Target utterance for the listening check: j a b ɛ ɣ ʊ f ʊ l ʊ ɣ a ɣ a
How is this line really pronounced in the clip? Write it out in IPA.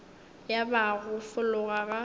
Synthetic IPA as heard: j a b a ɣ ʊ f ʊ l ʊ ɣ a ɣ a

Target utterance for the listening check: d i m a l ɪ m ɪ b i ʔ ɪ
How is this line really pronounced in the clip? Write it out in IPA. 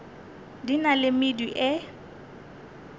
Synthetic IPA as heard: d i n a l ɪ m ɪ d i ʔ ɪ

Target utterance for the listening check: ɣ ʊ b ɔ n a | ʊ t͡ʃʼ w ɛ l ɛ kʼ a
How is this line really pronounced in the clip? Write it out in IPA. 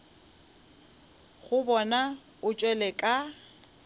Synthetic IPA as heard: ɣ ʊ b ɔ n a | ʊ t͡ʃʼ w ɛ l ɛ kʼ a

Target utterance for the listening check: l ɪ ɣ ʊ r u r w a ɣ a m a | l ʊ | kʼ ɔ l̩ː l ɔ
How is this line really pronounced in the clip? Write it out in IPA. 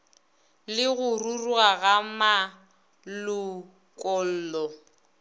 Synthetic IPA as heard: l ɪ ɣ ʊ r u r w a ɣ a m a | l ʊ | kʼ ɔ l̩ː l ɔ

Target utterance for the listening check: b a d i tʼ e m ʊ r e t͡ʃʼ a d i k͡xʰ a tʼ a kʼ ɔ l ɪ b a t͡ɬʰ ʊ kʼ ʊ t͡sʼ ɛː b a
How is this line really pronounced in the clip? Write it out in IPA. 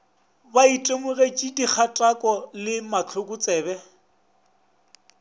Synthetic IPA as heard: b a i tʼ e m ʊ r e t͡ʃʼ i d i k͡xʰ a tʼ a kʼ ɔ l ɪ m a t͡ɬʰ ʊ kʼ ʊ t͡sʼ ɛː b ɛ

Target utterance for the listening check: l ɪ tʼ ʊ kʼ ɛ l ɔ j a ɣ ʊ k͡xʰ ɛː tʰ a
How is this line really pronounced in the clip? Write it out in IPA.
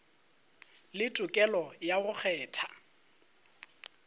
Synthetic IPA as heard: l ɪ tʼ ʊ kʼ ɛ l ɔ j a ɣ ʊ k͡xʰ ɛː tʰ a

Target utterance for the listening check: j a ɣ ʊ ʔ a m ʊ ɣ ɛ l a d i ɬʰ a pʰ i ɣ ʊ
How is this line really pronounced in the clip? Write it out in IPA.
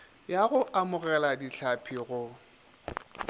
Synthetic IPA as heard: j a ɣ ʊ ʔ a m ʊ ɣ ɛ l a d i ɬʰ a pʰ i ɣ ʊ

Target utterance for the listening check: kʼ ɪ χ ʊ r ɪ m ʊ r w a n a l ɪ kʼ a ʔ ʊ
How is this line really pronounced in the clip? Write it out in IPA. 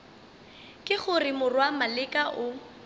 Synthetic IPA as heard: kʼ ɪ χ ʊ r ɪ m ʊ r w a m a l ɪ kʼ a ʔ ʊ

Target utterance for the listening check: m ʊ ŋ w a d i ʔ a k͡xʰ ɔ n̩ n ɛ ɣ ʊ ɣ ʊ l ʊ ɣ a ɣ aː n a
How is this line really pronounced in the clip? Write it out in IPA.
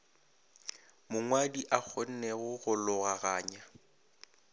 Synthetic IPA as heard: m ʊ ŋ w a d i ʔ a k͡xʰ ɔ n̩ n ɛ ɣ ʊ ɣ ʊ l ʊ ɣ a ɣ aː ɲ a

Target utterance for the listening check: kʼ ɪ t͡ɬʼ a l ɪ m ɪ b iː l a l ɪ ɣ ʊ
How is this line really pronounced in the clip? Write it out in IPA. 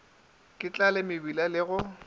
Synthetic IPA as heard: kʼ ɪ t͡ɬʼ a l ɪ m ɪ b i l a l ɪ ɣ ʊ

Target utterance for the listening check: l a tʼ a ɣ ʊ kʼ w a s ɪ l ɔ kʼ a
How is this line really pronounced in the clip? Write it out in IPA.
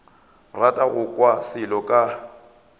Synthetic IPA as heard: r a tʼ a ɣ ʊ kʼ w a s ɪ l ɔ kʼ a

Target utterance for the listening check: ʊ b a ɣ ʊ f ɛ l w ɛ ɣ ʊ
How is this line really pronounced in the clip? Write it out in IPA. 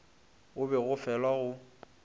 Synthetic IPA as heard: ʊ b ɛ ɣ ʊ f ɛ l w a ɣ ʊ

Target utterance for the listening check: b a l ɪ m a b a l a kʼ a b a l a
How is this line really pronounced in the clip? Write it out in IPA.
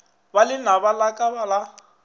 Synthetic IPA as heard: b a l ɪ n a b a l a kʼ a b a l a

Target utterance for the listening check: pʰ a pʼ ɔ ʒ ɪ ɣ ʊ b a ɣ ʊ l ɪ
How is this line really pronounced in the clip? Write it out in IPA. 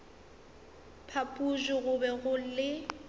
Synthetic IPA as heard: pʰ a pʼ u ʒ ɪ ɣ ʊ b ɛ ɣ ʊ l ɪ

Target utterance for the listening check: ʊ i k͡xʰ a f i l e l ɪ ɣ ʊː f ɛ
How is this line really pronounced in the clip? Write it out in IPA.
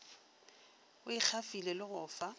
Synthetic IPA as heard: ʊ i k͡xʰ a f i l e l ɪ ɣ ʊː f a

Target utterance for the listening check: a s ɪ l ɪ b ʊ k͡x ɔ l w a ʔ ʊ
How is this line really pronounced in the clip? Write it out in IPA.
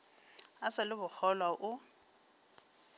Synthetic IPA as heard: a s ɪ l ɪ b ʊ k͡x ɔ l w a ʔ ʊ

